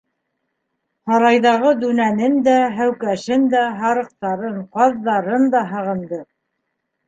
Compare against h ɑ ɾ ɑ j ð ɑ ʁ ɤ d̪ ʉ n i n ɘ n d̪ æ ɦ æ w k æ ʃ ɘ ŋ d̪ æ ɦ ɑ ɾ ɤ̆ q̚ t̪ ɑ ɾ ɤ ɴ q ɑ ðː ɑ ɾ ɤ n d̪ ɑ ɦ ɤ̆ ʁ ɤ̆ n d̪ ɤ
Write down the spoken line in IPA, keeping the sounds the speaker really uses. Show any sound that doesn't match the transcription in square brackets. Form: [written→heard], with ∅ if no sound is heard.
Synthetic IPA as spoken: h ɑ ɾ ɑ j ð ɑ ʁ ɤ d̪ ʉ n [i→æ] n ɘ n d̪ æ ɦ æ w k æ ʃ ɘ [ŋ→n] d̪ æ ɦ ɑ ɾ ɤ̆ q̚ t̪ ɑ ɾ ɤ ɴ q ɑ ðː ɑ ɾ ɤ n d̪ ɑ ɦ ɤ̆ ʁ ɤ̆ n d̪ ɤ

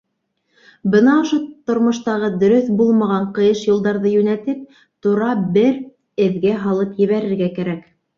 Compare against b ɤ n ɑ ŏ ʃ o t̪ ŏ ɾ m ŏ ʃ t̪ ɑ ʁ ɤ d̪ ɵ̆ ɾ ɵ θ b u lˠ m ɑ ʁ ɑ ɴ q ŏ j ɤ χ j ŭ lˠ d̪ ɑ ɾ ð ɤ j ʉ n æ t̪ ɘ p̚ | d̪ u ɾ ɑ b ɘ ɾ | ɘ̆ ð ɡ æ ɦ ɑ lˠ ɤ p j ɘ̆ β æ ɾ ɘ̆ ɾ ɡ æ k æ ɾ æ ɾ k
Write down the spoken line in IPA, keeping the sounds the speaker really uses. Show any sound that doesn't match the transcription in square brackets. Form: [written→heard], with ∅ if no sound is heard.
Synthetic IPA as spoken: b ɤ n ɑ ŏ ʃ o t̪ ŏ ɾ m ŏ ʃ t̪ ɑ ʁ ɤ d̪ ɵ̆ ɾ ɵ θ b u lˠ m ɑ ʁ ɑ ɴ q [ŏ→ɤ̆] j ɤ [χ→ʃ] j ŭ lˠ d̪ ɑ ɾ ð ɤ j ʉ n æ t̪ ɘ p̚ | [d̪→t̪] u ɾ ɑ b ɘ ɾ | ɘ̆ ð ɡ æ ɦ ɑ lˠ ɤ p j ɘ̆ β æ ɾ ɘ̆ ɾ ɡ æ k æ ɾ æ [ɾ→∅] k

